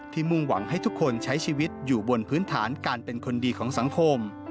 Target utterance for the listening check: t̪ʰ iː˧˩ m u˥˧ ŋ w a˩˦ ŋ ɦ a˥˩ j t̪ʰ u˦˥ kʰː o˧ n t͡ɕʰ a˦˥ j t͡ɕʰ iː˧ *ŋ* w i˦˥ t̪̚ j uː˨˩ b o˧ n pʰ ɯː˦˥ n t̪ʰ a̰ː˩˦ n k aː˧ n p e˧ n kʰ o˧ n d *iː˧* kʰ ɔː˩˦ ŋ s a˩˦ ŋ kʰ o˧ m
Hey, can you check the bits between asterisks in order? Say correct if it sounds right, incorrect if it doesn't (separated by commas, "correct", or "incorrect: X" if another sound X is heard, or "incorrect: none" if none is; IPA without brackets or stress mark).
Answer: incorrect: none, correct